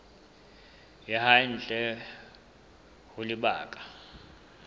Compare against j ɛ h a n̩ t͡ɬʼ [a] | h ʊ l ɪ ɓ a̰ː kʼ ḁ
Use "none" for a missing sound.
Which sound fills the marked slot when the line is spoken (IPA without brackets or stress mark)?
ɛ